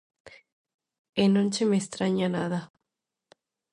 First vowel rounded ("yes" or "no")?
no